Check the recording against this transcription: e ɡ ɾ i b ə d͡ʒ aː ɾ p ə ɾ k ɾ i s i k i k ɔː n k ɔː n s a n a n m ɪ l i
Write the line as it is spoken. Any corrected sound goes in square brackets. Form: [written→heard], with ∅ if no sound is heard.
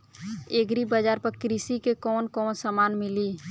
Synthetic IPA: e ɡ ɾ i b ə d͡ʒ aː ɾ p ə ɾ k ɾ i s i k [i→e] k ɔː n k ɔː n s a [n→m] a n m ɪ l i